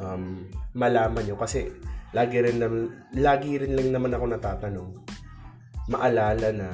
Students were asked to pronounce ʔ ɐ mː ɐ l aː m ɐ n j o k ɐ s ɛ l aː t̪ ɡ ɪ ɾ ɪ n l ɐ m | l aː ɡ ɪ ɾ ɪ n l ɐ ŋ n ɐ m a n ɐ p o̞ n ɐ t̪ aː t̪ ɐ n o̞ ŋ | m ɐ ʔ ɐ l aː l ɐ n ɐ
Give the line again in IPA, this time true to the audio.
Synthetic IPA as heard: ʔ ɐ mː ɐ l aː m ɐ n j o k ɐ s ɛ l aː ɡ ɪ ɾ ɪ n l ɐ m | l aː ɡ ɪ ɾ ɪ n l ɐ ŋ n ɐ m a n ɐ k o̞ n ɐ t̪ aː t̪ ɐ n o̞ ŋ | m ɐ ʔ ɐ l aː l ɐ n ɐ